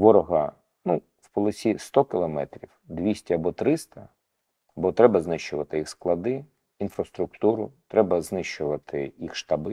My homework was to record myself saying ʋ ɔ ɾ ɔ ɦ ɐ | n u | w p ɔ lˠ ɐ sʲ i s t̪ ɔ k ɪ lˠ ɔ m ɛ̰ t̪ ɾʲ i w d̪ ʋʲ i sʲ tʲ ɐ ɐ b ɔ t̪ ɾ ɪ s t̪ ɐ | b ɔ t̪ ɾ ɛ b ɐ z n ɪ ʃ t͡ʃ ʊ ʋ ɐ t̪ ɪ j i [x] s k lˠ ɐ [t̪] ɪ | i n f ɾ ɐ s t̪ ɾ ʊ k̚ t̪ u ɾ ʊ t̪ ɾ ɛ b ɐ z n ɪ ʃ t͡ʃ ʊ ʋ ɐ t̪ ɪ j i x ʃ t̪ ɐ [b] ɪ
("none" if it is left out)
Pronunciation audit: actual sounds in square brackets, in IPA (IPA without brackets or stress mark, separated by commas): x, d̪, b